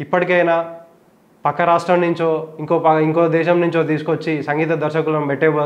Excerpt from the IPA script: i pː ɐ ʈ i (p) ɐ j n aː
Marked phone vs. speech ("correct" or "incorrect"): incorrect